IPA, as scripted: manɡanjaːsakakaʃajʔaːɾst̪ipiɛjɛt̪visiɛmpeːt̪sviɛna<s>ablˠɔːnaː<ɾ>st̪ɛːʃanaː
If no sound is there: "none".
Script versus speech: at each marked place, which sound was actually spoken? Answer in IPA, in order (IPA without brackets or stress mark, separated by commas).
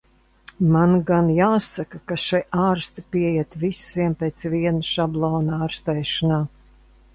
ʃ, ɾ